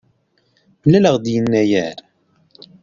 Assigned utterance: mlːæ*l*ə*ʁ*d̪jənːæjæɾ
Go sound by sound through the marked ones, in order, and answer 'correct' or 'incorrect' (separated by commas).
correct, correct